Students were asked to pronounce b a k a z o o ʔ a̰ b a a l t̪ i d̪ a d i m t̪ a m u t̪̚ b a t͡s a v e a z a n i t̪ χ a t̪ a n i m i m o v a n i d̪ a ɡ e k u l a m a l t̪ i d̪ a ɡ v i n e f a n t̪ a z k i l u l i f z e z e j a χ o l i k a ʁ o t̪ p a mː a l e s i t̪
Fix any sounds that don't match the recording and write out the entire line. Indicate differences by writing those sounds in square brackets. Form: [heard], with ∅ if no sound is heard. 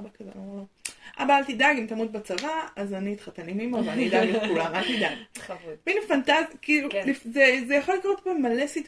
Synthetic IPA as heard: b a k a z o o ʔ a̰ b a a l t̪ i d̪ a [ɡ] i m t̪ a m u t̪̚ b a t͡s a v [a] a z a n i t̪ χ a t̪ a n i m i m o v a n i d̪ a ɡ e k u l a m a l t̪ i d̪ a ɡ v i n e f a n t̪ a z k i l u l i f z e z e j a χ o l i k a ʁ o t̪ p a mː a l e s i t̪